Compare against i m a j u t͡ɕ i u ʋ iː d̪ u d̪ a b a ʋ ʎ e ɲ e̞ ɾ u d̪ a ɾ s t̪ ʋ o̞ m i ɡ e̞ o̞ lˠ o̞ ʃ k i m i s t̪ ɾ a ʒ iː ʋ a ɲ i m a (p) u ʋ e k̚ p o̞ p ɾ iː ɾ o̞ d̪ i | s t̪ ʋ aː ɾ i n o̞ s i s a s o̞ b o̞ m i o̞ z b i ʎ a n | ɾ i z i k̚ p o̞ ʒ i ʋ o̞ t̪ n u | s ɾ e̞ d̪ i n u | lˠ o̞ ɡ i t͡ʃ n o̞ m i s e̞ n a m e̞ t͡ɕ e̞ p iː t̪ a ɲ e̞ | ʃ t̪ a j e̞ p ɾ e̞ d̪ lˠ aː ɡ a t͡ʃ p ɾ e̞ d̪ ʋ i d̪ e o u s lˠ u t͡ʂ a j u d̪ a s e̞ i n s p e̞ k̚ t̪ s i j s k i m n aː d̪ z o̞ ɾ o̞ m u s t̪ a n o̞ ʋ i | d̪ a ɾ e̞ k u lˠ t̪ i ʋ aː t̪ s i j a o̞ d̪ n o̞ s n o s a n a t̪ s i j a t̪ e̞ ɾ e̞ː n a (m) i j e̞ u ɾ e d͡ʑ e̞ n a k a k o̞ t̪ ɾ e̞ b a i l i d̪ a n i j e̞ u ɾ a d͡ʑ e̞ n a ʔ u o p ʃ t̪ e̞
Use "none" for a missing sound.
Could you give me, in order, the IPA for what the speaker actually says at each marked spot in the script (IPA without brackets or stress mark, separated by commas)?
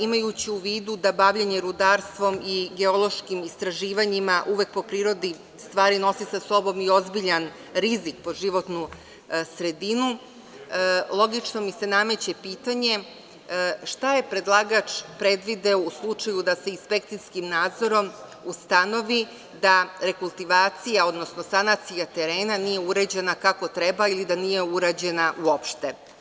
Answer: ʔ, n